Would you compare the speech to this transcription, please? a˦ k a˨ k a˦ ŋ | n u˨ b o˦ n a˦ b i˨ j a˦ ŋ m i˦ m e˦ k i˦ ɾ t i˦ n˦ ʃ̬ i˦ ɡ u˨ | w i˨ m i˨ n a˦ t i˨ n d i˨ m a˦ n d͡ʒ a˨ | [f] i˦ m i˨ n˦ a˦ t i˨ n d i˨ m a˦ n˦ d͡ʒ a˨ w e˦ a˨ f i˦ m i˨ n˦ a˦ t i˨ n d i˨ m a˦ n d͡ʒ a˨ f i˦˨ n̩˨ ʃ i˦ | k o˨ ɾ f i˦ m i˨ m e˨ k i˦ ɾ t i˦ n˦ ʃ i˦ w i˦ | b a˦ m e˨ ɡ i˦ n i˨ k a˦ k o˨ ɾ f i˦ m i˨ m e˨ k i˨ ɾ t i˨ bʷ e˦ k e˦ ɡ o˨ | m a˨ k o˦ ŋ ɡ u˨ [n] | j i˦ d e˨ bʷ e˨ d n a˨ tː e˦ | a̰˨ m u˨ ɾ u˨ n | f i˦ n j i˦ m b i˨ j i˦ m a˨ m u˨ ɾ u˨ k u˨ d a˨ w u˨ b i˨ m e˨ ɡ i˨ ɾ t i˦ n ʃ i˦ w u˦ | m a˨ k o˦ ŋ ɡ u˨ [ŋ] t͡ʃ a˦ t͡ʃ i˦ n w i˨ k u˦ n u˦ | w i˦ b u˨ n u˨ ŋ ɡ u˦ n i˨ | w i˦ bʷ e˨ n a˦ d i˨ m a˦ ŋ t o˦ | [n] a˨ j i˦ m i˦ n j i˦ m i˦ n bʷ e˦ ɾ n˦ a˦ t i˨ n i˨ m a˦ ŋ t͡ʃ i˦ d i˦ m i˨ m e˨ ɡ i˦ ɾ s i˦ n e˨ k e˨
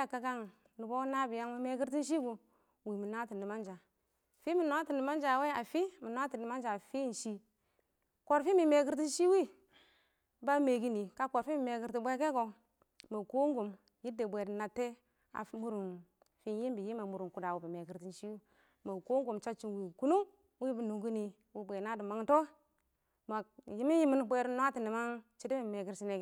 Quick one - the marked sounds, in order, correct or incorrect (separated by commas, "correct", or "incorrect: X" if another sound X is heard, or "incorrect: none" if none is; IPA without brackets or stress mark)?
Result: correct, incorrect: m, incorrect: m, incorrect: m